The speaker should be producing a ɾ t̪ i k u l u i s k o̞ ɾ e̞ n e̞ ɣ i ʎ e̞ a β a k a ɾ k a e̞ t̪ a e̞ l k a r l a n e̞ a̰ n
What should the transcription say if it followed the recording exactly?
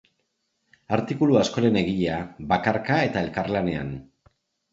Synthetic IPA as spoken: a ɾ t̪ i k u l u a s k o̞ ɾ e̞ n e̞ ɣ i ʎ e̞ a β a k a ɾ k a e̞ t̪ a e̞ l k a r l a n e̞ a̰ n